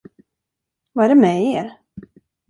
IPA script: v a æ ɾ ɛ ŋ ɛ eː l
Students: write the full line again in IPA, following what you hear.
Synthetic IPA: v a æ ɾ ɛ m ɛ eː ɾ

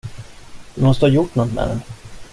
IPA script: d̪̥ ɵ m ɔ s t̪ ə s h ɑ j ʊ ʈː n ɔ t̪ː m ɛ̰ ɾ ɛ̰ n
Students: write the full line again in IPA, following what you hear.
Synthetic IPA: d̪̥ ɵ m ɔ s t̪ ə h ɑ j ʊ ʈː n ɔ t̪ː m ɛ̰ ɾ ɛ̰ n

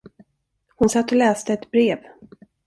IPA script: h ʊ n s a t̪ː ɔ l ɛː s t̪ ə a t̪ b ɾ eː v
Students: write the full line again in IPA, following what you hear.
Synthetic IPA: h ʊ n s a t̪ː ɔ l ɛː s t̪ ə ɛ t̪ b ɾ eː v

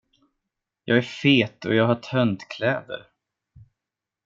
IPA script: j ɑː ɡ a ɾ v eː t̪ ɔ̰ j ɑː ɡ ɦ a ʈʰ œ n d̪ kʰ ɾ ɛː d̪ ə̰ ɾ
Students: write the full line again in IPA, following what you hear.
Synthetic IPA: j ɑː ɡ æ ɾ f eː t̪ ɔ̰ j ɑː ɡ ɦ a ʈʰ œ n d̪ kʰ l ɛː d̪ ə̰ ɾ

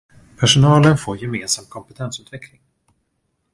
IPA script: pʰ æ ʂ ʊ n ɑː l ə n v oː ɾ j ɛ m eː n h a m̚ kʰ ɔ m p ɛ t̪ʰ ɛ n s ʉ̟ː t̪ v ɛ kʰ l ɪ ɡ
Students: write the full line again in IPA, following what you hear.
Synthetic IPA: pʰ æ ʂ ʊ n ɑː l ə n f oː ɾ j ɛ m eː n s a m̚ kʰ ɔ m p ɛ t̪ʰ ɛ n s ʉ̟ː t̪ v ɛ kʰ l ɪ ŋ

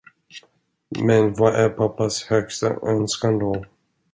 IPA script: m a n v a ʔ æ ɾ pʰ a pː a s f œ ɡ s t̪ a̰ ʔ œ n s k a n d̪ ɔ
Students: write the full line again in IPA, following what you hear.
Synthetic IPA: m ɛ n v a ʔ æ ɾ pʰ a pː a s h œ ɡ s t̪ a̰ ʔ œ n s k a n d̪ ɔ

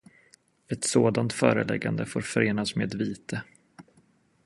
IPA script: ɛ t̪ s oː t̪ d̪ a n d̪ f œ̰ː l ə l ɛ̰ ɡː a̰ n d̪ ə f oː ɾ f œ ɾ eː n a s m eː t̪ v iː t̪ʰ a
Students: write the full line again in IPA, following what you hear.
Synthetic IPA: ɛ t̪ s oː d̪ a n t̪ f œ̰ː ɾ ə l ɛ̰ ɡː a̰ n d̪ ə f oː ɾ f œ ɾ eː n a s m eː d̪ v iː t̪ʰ ə

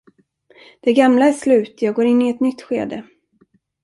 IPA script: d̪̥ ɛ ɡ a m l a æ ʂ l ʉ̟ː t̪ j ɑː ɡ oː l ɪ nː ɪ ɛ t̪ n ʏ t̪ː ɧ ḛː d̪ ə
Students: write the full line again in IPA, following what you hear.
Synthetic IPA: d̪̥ ɛ ɡ a m l a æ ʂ l ʉ̟ː t̪ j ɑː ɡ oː ɾ ɪ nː ɪ ɛ t̪ n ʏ t̪ː ɧ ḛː d̪ ə

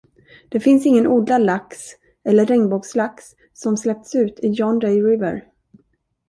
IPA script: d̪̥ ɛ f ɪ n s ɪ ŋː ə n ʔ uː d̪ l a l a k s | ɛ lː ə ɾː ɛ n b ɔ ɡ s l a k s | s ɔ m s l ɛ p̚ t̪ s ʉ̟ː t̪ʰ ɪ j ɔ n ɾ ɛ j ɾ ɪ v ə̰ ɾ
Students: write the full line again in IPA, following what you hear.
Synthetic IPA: d̪̥ ɛ f ɪ n s ɪ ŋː ə n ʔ uː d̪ l a l a k s | ɛ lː ə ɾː ɛ ŋ b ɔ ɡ s l a k s | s ɔ m s l ɛ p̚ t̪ s ʉ̟ː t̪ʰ ɪ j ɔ n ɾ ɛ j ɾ ɪ v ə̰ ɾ

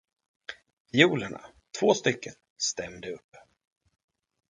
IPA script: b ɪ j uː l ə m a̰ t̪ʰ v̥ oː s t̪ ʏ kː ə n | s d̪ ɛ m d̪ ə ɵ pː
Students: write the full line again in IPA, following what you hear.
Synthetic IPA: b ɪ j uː l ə ɳ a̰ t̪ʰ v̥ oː s t̪ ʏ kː ə n | s t̪ ɛ m d̪ ə ɵ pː

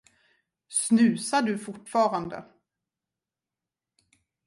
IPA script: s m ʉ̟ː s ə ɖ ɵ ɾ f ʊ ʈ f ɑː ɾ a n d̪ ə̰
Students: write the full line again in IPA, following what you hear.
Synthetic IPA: s n ʉ̟ː s a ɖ ɵ f ʊ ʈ f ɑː ɾ a n d̪ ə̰

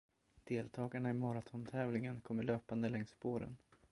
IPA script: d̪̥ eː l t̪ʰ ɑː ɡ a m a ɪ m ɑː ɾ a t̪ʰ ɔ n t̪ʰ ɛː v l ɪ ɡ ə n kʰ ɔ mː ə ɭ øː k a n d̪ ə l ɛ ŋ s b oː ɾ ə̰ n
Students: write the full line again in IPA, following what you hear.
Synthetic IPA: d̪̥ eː l t̪ʰ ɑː ɡ a ɳ a ɪ m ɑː ɾ a t̪ʰ ɔ n t̪ʰ ɛː v l ɪ ŋ ə n kʰ ɔ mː ə ɭ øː p a n d̪ ə l ɛ ŋ s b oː ɾ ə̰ n

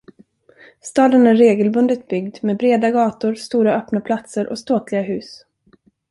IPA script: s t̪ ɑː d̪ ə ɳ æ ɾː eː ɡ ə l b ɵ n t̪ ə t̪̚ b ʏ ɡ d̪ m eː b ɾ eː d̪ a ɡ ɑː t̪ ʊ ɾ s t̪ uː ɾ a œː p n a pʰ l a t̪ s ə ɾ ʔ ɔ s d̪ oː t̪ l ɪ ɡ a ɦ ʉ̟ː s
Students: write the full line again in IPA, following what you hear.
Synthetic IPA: s t̪ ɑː d̪ ə n æ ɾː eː ɡ ə l b ɵ n d̪ ə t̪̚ b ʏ ɡ d̪ m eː b ɾ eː d̪ a ɡ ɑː t̪ ʊ ɾ s t̪ uː ɾ a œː p n a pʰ l a t̪ s ə ɾ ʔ ɔ s t̪ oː t̪ l ɪ ɡ a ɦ ʉ̟ː s

